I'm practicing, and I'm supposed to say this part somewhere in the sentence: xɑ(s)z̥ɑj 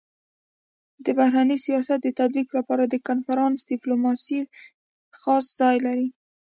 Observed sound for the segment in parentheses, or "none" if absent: s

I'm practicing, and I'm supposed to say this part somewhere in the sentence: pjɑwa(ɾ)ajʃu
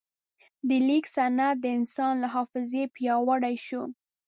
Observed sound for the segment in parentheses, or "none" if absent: ɽ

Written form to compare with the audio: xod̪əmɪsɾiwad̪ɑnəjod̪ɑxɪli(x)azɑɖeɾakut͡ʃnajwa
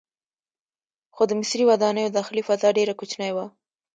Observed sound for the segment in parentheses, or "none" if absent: f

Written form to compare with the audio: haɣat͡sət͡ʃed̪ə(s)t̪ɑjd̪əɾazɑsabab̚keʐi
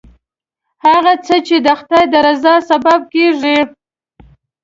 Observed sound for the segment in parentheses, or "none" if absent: x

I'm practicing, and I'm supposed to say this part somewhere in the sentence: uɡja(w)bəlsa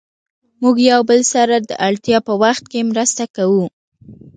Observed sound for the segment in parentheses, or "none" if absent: w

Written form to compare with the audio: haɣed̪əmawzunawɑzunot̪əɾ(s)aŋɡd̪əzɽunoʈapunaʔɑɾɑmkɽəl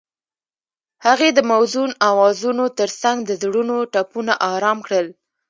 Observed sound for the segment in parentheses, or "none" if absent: s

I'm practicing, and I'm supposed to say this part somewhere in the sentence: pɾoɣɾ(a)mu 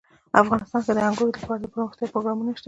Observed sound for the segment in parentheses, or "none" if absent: ɑ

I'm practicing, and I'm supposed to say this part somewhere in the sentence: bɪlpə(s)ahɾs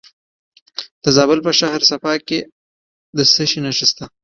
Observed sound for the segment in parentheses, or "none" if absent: ʃ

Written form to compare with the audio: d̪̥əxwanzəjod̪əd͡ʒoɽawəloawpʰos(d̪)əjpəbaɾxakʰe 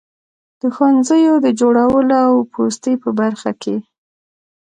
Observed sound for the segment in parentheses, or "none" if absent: t̪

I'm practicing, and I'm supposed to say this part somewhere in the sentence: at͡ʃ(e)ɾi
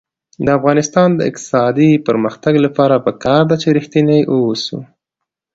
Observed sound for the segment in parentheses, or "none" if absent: e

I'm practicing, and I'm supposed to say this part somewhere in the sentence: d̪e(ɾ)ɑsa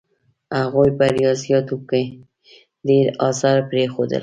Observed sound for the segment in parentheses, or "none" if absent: ɾ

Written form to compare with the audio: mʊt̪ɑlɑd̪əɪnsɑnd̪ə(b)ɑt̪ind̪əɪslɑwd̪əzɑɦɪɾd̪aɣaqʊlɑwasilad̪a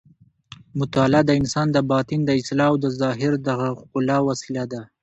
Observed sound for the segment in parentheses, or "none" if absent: b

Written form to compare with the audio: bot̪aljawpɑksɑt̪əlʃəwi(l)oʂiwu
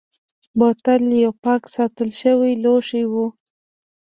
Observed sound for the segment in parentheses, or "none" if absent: l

